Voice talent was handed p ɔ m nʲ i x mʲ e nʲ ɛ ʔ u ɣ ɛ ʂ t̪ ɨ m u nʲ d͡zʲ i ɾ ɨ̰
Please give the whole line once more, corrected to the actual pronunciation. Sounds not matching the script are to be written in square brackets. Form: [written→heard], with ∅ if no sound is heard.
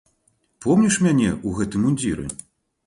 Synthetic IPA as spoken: p ɔ m nʲ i [x→ʂ] mʲ [e→a] nʲ ɛ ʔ u ɣ ɛ [ʂ→∅] t̪ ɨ m u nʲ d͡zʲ i ɾ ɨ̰